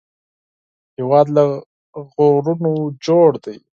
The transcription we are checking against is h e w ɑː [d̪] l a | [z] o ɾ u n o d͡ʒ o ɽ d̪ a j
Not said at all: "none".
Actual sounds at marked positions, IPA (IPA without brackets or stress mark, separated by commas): d̪, ɣ